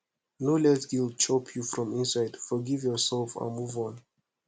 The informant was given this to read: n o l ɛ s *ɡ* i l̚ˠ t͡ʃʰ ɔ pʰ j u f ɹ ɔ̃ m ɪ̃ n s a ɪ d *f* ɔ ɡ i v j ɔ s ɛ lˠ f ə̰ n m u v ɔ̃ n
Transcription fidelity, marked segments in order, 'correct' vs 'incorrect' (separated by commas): correct, correct